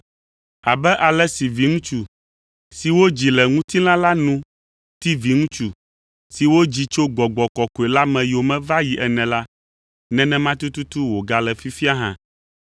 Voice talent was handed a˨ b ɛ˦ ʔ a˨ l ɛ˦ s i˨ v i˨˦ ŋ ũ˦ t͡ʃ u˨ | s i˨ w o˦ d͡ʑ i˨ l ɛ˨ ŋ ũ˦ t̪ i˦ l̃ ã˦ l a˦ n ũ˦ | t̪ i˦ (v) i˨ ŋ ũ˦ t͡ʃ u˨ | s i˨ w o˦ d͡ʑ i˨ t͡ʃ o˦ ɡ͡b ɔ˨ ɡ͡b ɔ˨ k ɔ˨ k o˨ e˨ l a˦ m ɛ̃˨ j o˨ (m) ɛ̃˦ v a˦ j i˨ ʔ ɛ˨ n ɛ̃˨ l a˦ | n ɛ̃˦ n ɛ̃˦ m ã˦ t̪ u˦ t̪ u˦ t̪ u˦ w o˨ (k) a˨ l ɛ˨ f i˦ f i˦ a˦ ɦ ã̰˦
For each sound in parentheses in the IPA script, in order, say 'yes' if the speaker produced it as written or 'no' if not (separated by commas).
yes, yes, no